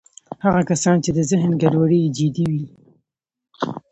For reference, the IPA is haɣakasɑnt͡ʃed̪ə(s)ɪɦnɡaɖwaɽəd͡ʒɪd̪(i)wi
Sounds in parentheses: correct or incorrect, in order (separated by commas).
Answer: incorrect, correct